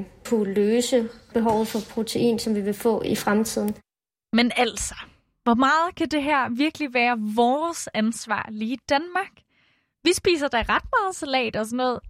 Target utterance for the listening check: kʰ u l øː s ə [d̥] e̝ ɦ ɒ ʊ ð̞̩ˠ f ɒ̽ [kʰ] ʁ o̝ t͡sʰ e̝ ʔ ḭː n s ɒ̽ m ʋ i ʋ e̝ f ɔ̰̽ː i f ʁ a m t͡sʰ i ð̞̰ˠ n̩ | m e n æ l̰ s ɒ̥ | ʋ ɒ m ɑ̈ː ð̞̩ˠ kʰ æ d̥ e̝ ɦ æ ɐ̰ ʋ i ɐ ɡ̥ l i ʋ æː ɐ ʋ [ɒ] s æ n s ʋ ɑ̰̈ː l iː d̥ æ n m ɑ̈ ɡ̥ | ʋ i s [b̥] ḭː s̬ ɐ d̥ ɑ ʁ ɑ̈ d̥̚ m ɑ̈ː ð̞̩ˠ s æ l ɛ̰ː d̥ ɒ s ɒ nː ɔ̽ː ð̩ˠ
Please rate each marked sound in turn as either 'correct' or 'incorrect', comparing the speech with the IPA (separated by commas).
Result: incorrect, incorrect, incorrect, correct